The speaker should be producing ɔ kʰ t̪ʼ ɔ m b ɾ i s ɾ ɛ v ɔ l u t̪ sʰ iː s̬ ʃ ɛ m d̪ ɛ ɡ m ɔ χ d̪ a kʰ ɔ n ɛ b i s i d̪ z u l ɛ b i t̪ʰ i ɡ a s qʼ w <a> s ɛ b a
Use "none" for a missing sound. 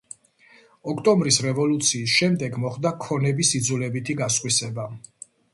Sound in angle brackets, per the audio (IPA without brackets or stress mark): i